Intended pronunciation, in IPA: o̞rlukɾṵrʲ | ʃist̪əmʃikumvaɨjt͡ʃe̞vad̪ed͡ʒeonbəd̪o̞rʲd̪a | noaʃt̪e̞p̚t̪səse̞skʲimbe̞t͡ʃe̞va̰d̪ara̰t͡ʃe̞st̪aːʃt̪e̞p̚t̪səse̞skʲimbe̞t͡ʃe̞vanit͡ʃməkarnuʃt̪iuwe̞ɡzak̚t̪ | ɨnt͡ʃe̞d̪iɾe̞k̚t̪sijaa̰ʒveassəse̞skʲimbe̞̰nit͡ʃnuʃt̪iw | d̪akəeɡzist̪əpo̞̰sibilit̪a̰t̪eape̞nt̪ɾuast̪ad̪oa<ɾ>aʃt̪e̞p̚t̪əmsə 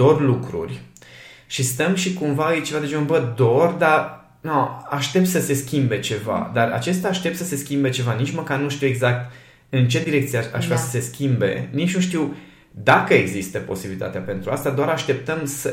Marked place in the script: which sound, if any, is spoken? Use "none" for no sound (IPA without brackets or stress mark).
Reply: ɾ